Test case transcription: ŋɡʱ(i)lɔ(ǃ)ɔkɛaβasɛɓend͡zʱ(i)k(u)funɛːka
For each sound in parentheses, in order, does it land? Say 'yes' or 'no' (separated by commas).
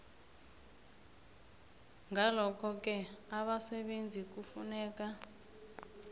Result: no, no, yes, yes